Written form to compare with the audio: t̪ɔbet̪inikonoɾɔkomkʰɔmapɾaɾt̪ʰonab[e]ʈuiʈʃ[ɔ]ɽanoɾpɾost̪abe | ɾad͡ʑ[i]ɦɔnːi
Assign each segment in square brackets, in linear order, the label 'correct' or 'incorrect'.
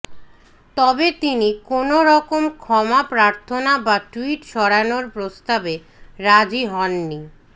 incorrect: a, correct, correct

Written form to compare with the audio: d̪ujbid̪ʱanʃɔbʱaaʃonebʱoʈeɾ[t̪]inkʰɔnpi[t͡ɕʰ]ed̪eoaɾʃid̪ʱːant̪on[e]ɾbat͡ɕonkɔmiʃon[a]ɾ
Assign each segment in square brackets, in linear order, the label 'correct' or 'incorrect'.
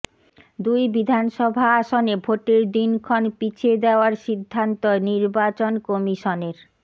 incorrect: d̪, correct, incorrect: i, incorrect: e

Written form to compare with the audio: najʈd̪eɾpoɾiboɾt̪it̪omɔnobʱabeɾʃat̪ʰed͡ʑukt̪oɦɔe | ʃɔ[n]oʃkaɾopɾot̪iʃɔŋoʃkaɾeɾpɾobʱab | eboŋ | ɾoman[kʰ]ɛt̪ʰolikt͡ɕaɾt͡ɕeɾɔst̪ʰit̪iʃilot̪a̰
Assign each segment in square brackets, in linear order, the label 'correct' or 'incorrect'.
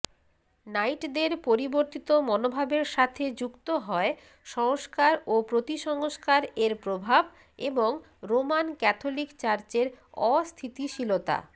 incorrect: ŋ, incorrect: k

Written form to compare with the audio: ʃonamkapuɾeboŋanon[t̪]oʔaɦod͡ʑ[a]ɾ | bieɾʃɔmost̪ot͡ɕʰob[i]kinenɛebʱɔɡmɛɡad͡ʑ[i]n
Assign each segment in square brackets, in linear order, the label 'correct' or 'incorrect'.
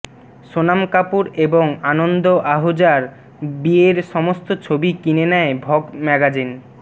incorrect: d̪, correct, correct, correct

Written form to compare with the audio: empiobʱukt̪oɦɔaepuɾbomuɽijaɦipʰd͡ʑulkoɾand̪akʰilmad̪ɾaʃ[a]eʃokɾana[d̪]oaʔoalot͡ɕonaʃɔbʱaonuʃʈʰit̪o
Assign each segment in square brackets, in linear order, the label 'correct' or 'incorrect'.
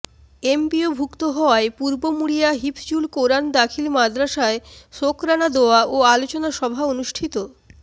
correct, correct

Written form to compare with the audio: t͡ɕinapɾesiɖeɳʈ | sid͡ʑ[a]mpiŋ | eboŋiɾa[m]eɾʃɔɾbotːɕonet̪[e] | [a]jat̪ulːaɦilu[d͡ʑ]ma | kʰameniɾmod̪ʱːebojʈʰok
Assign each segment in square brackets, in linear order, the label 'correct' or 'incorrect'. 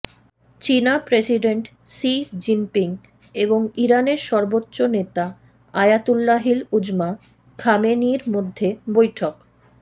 incorrect: i, incorrect: n, incorrect: a, correct, correct

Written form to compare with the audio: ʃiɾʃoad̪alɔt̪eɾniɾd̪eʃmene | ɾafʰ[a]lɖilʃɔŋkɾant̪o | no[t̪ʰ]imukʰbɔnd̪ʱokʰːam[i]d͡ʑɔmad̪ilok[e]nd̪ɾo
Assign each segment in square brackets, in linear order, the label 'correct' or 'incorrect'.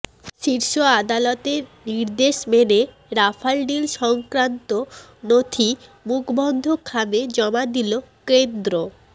correct, correct, incorrect: e, correct

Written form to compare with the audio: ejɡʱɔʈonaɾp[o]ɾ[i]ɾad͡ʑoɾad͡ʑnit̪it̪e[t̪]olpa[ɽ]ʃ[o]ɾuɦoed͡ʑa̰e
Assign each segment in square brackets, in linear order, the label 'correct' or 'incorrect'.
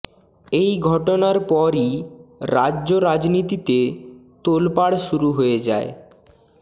incorrect: ɔ, correct, correct, correct, incorrect: u

